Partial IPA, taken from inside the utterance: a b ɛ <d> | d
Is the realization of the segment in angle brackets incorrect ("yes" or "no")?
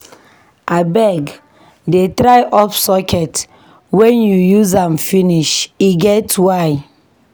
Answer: yes